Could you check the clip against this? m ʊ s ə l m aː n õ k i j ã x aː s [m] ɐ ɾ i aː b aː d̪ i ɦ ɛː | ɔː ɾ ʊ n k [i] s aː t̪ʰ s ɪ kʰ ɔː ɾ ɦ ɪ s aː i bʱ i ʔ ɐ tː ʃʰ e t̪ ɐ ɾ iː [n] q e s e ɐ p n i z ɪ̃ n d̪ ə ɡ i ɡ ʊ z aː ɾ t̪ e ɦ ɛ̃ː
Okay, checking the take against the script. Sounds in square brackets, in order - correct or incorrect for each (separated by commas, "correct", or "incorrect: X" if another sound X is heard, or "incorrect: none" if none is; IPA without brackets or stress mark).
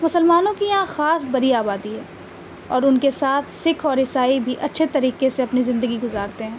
incorrect: b, incorrect: e, incorrect: none